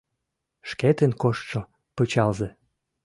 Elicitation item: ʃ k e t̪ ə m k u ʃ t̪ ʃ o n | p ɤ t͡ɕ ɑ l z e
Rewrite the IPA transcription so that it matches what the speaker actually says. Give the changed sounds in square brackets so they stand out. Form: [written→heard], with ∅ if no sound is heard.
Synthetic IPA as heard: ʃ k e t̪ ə [m→n] k [u→o] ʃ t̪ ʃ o [n→∅] | p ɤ t͡ɕ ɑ l z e